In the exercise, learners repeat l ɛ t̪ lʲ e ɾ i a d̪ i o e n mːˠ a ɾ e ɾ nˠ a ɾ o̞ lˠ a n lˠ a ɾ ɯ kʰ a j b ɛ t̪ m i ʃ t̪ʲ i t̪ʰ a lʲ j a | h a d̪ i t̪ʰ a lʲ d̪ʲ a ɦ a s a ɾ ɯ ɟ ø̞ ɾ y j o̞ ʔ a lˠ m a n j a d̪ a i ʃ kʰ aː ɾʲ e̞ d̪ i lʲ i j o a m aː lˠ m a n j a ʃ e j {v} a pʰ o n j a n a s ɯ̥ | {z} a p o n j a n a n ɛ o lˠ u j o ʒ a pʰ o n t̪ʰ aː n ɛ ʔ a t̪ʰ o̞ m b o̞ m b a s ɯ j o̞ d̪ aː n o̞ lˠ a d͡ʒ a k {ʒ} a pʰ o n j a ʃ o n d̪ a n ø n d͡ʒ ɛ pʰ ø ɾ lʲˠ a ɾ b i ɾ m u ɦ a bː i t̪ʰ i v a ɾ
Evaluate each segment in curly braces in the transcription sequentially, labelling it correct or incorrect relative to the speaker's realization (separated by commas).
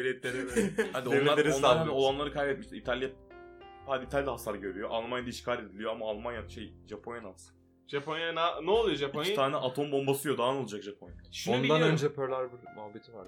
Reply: incorrect, incorrect, correct